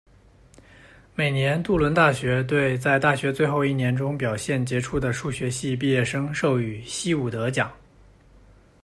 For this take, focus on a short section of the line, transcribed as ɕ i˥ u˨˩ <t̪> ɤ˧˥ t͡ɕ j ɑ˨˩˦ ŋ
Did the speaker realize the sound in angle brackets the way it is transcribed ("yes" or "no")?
yes